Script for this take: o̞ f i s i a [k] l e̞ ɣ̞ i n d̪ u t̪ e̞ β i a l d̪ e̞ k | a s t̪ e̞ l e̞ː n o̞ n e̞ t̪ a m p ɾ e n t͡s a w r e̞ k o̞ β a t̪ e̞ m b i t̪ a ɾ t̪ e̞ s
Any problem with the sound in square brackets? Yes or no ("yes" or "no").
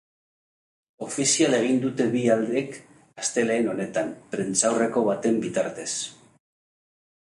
yes